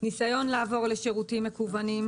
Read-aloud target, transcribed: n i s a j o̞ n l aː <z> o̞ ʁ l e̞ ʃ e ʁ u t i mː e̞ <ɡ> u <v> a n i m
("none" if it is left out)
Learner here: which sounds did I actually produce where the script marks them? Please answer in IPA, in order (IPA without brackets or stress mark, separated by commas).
v, k, v